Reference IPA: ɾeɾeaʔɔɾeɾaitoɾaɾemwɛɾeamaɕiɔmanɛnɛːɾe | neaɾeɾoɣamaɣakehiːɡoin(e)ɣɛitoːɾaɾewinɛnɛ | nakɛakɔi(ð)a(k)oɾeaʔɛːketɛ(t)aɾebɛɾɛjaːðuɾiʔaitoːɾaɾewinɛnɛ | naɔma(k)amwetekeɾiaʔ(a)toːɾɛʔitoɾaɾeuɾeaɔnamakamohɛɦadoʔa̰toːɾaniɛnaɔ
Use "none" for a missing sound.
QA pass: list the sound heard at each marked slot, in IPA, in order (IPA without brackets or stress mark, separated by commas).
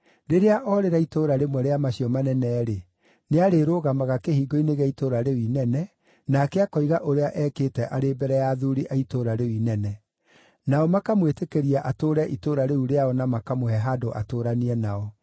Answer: e, ɣ, ʔ, ʔ, k, a